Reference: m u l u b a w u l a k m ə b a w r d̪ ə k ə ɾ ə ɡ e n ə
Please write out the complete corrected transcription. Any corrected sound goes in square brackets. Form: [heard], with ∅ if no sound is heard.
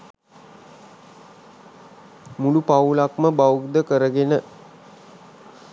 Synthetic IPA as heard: m u l u [p] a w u l a k m ə b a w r d̪ ə k ə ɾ ə ɡ e n ə

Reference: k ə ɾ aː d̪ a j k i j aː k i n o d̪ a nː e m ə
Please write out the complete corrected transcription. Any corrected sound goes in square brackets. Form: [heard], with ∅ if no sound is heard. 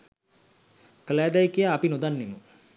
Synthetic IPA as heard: k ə [l] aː d̪ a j k i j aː [p] i n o d̪ a nː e m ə

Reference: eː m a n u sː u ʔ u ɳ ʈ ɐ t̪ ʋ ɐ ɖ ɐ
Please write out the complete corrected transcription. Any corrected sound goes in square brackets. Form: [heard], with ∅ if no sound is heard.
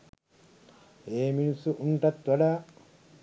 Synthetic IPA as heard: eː m [i] n u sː u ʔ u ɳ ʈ ɐ t̪ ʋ ɐ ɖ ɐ

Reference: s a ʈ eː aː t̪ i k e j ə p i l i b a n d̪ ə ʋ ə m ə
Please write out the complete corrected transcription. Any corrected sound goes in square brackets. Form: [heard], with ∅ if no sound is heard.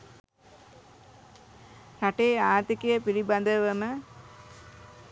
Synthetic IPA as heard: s a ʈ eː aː t̪ i k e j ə p i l i b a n d̪ ə ʋ ə m ə

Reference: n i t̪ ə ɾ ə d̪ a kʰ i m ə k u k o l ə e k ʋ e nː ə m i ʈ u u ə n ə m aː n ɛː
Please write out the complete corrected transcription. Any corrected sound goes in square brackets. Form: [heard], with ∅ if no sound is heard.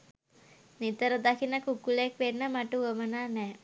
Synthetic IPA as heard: n i t̪ ə ɾ ə d̪ a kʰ i [n] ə k u k [u] l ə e k ʋ e nː ə m [a] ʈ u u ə [m] ə [n] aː n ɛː

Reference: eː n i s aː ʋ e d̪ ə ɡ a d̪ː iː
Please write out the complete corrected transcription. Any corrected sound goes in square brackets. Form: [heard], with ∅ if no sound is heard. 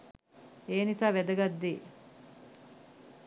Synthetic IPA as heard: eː n i s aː ʋ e d̪ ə ɡ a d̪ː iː

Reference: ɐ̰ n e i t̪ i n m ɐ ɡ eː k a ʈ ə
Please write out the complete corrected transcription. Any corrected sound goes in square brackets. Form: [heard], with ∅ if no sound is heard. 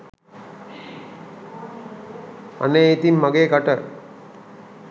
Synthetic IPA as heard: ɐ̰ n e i t̪ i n m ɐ ɡ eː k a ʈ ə

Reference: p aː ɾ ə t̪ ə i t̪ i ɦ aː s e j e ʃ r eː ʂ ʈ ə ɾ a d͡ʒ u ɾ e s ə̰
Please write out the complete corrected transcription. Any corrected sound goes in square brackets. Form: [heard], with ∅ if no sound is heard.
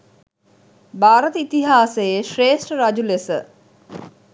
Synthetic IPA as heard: [b] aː ɾ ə t̪ ə i t̪ i ɦ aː s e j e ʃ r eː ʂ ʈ ə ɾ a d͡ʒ u [l] e s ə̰

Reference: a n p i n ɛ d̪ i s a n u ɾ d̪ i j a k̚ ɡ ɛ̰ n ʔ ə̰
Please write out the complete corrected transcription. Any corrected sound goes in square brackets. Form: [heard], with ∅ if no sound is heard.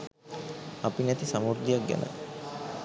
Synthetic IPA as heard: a [∅] p i n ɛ [t̪] i s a [m] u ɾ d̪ i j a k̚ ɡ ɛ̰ n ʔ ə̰

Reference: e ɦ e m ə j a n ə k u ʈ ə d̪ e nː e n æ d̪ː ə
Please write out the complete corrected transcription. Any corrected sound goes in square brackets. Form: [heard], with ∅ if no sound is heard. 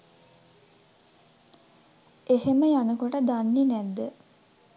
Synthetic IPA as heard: e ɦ e m ə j a n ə k [o] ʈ ə d̪ [a] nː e n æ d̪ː ə

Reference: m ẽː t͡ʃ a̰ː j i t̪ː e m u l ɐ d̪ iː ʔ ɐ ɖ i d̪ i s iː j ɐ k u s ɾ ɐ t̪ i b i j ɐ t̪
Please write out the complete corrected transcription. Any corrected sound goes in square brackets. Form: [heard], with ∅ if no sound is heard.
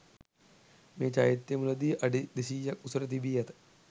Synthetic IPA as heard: m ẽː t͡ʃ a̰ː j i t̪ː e m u l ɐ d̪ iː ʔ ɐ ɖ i d̪ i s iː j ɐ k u s ɾ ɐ t̪ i b i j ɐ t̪

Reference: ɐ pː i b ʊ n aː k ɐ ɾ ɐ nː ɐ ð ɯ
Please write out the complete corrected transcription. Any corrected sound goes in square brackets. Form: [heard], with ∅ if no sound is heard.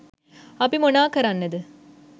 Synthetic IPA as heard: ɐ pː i [m] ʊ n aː k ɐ ɾ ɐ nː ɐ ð ɯ

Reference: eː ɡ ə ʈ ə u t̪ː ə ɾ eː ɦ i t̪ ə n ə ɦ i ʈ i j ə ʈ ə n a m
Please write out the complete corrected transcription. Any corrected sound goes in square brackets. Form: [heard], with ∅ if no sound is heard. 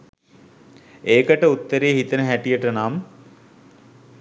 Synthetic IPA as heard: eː [k] ə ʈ ə u t̪ː ə ɾ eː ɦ i t̪ ə n ə ɦ [æ] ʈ i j ə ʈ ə n a m

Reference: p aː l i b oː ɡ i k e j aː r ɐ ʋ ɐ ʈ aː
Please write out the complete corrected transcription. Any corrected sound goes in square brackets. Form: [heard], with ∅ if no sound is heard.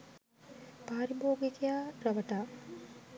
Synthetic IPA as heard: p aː [ɾ] i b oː ɡ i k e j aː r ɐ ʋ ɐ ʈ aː

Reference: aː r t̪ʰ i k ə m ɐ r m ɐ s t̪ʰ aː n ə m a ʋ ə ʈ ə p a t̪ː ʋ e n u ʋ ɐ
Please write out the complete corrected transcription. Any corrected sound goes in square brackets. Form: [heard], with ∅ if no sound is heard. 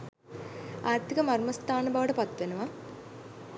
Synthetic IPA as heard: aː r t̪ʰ i k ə m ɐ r m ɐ s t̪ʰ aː n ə [b] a ʋ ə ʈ ə p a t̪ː ʋ e n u ʋ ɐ

